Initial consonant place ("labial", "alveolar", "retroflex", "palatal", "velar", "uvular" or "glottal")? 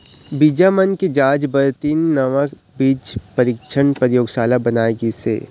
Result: labial